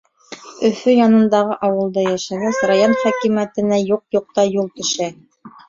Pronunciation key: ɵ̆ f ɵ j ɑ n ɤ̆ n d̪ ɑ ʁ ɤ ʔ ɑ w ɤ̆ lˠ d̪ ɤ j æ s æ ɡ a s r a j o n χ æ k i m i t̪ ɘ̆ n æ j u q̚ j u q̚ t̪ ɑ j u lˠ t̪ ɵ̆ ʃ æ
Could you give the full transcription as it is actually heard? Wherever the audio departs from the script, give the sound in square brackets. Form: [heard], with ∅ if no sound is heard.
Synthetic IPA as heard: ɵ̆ f ɵ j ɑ n ɤ̆ n d̪ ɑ ʁ ɤ ʔ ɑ w ɤ̆ lˠ d̪ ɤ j æ [ʃ] æ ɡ [æ] s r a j o n χ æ k i m [æ] t̪ ɘ̆ n æ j u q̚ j u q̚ t̪ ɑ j u lˠ t̪ ɵ̆ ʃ æ

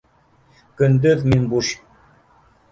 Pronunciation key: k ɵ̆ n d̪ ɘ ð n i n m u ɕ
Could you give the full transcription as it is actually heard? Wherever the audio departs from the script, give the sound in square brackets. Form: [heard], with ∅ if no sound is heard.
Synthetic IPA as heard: k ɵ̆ n d̪ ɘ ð [m] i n [b] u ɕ

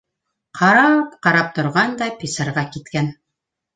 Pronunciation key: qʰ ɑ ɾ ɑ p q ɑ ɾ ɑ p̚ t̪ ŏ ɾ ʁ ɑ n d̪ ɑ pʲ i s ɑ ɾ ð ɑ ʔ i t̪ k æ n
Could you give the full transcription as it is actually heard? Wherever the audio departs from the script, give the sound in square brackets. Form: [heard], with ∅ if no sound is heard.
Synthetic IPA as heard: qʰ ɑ ɾ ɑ p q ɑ ɾ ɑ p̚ t̪ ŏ ɾ ʁ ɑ n d̪ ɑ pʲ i s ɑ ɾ [ʁ] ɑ [k] i t̪ k æ n

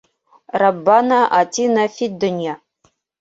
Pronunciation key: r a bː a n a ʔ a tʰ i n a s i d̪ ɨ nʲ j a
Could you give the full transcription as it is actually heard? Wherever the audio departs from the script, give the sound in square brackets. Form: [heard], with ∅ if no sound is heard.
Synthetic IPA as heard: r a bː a n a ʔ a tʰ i n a [f] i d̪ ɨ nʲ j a

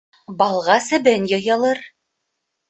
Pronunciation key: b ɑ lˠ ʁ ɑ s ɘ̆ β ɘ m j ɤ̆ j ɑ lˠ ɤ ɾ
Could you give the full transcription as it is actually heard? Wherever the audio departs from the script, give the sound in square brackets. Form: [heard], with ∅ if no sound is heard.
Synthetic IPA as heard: b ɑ lˠ ʁ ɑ s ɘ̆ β ɘ [n] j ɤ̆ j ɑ lˠ ɤ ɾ

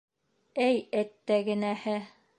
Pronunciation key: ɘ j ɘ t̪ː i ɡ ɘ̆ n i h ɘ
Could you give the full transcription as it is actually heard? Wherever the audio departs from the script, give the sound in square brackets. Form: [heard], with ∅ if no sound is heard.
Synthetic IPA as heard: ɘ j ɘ t̪ː [æ] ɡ ɘ̆ n [æ] h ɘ

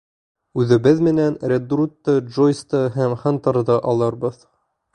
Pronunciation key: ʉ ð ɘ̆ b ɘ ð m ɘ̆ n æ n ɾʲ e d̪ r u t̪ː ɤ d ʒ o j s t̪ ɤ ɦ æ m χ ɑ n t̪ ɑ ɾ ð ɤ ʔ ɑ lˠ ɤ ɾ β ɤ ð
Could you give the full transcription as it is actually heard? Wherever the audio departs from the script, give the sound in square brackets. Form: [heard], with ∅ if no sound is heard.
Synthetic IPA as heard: ʉ ð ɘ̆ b ɘ ð m ɘ̆ n æ n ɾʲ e d̪ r u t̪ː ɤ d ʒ o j s t̪ ɤ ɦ æ m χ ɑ n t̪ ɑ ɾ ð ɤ ʔ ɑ lˠ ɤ ɾ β ɤ ð

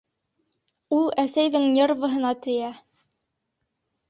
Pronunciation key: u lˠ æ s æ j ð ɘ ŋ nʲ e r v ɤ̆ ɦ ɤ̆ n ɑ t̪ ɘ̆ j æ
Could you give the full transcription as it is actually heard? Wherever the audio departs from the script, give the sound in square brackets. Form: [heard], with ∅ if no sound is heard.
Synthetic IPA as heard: u lˠ æ s æ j ð ɘ ŋ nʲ e r v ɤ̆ ɦ ɤ̆ n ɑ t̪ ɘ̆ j æ

